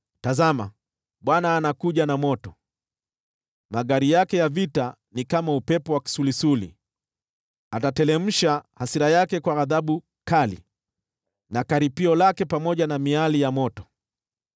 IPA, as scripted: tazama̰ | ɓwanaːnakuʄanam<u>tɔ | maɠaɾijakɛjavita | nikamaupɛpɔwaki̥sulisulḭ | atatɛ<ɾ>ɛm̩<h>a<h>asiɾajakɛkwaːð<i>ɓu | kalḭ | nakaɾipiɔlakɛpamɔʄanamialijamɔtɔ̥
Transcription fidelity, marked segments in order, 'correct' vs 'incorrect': incorrect: ɔ, incorrect: l, incorrect: ʃ, correct, incorrect: a

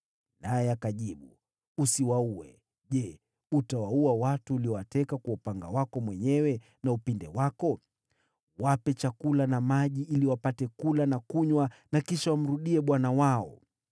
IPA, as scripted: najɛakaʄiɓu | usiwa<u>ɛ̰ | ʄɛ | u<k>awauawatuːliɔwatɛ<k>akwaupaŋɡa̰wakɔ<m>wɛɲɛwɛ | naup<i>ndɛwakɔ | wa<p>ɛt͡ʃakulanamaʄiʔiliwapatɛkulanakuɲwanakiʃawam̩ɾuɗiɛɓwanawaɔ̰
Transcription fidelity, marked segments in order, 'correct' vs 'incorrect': correct, incorrect: t, correct, correct, correct, correct

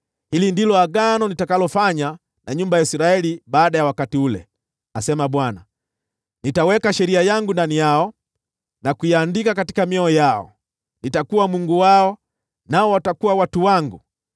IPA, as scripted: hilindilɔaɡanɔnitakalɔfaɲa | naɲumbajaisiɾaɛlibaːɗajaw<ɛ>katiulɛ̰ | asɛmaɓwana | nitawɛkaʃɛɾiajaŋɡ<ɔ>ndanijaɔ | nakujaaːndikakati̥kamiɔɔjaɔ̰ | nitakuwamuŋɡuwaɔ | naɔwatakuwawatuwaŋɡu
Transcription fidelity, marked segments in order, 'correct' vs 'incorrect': incorrect: a, incorrect: u

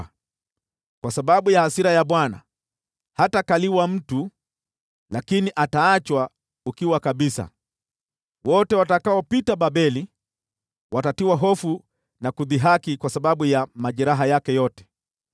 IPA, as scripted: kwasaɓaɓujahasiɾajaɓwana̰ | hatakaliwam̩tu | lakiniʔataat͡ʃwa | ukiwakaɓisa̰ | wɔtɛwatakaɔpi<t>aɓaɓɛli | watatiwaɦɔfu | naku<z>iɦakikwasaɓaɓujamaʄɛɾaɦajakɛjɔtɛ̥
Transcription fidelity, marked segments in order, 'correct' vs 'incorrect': correct, incorrect: ð

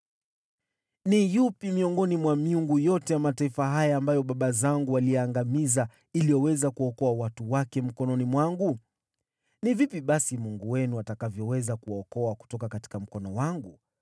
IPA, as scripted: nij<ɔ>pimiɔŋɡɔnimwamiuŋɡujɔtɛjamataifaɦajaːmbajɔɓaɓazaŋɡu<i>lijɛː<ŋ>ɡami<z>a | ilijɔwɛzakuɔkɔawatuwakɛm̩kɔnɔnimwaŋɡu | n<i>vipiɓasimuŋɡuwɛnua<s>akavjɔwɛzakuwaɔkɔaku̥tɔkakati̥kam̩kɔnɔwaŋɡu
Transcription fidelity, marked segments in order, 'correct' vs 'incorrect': incorrect: u, incorrect: a, correct, correct, correct, incorrect: t

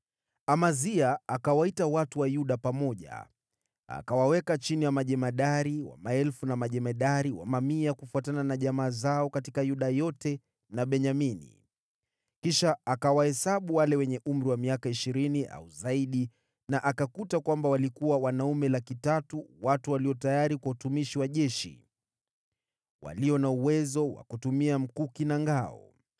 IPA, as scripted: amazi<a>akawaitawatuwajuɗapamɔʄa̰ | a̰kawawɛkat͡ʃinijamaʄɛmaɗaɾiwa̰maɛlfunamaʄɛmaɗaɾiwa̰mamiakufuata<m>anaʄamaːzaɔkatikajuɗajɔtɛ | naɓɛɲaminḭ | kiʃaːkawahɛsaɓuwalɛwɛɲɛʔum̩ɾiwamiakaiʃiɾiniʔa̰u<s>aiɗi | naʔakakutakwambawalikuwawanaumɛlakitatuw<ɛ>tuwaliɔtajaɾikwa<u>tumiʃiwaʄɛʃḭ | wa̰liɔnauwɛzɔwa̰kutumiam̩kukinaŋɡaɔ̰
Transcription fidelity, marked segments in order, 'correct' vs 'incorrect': correct, incorrect: n, incorrect: z, incorrect: a, correct

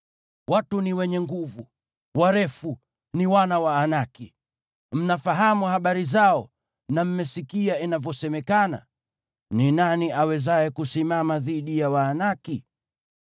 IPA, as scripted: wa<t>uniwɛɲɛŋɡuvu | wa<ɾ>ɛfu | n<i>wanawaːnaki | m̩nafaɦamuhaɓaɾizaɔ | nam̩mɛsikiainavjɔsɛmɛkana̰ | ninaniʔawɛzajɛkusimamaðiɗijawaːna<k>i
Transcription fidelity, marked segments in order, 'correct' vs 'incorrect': correct, correct, correct, correct

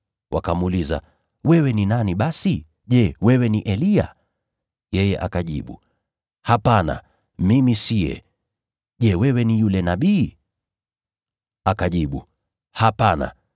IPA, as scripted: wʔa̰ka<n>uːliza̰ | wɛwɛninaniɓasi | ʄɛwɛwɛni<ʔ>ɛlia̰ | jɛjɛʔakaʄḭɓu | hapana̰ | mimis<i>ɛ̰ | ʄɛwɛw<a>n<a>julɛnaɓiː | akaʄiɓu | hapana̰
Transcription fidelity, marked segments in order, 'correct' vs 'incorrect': incorrect: m, correct, correct, incorrect: ɛ, incorrect: i

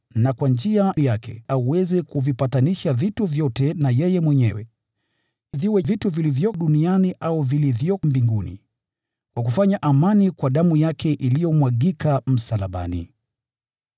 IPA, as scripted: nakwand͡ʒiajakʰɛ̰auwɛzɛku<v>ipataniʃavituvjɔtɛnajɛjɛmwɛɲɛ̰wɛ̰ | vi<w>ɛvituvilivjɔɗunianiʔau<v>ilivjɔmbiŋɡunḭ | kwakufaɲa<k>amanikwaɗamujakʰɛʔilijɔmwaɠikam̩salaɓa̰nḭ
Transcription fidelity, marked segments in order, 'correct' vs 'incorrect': correct, correct, correct, incorrect: ʔ

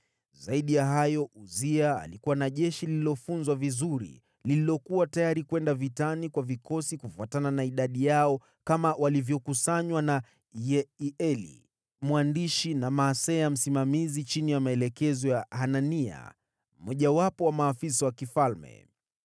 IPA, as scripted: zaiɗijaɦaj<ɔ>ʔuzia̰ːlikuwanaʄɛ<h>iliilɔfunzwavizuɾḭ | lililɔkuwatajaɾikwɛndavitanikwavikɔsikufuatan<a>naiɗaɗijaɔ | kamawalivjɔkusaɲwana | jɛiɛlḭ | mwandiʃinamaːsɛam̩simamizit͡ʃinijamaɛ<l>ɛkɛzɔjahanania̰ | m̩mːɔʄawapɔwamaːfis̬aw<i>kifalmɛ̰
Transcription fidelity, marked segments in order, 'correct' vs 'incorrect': correct, incorrect: ʃ, correct, correct, incorrect: a

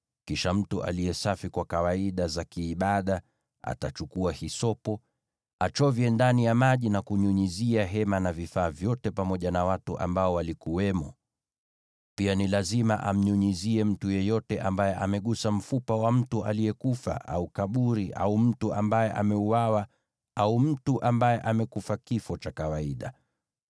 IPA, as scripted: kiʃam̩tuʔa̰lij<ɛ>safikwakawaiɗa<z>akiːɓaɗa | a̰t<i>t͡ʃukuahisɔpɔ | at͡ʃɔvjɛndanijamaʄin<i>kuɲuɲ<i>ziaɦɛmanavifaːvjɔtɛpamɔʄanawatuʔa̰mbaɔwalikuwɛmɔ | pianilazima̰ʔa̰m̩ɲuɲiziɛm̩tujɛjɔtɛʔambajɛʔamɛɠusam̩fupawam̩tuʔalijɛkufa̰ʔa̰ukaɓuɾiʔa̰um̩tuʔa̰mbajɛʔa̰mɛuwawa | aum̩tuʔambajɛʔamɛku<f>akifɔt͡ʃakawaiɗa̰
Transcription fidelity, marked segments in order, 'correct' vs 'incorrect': correct, correct, incorrect: a, incorrect: a, correct, correct

